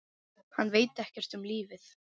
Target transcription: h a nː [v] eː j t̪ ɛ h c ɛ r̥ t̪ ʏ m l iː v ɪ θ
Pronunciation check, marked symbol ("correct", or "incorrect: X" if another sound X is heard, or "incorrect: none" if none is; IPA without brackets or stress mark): correct